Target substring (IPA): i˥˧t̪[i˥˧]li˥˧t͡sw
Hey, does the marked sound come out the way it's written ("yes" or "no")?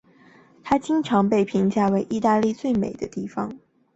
no